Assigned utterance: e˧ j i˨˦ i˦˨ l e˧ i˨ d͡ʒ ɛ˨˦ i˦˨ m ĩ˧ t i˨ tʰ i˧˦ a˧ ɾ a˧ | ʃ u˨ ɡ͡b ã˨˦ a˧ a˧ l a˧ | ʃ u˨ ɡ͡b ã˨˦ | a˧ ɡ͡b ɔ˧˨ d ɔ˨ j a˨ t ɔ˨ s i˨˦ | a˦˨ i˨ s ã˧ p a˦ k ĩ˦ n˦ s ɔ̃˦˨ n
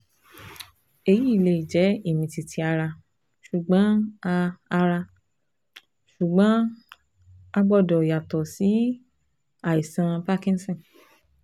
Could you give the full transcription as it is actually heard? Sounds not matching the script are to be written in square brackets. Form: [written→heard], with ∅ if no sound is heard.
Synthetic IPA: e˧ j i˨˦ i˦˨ l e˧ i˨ d͡ʒ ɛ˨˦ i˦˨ m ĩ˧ t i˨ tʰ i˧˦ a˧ ɾ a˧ | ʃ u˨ ɡ͡b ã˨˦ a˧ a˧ [l→ɾ] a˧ | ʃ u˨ ɡ͡b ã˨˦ | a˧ ɡ͡b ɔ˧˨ d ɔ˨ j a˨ t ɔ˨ s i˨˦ | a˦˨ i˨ s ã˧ p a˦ k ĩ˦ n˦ s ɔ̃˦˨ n